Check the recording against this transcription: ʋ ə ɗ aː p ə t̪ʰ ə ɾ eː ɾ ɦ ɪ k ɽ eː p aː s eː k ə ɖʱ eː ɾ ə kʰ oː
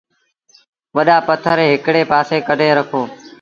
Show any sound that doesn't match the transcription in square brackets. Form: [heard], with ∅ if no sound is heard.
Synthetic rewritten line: ʋ ə ɗ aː p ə t̪ʰ ə ɾ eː [∅] ɦ ɪ k ɽ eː p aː s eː k ə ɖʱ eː ɾ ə kʰ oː